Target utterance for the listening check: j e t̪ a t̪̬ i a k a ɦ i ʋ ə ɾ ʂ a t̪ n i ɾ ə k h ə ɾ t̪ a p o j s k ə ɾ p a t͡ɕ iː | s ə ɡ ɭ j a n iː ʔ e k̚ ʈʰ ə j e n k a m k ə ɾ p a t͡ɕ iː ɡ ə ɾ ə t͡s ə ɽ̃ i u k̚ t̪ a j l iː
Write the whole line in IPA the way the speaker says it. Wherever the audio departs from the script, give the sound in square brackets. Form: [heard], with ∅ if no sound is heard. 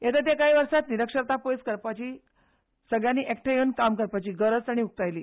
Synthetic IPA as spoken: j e t̪ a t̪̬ [j] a k a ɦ i ʋ ə ɾ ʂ a t̪ n i ɾ ə k [ʂ] ə ɾ t̪ a p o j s k ə ɾ p a t͡ɕ iː | s ə ɡ ɭ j a n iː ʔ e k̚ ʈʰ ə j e n k a m k ə ɾ p a t͡ɕ iː ɡ ə ɾ ə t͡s [a] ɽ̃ i u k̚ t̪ a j l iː